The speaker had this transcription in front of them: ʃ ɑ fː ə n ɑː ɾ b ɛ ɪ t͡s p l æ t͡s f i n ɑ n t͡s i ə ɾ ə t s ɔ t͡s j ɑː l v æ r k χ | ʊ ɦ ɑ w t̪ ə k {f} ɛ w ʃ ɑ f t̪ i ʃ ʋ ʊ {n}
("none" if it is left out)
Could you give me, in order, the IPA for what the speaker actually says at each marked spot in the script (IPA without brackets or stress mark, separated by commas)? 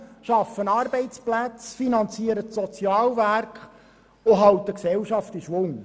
s, ŋ